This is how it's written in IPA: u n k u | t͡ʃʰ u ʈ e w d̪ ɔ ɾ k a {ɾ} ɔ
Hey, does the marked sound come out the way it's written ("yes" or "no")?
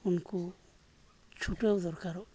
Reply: yes